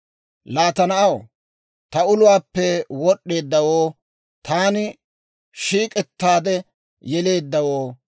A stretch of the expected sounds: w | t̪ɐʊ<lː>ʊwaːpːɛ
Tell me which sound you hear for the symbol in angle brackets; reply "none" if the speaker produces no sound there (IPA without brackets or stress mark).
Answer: l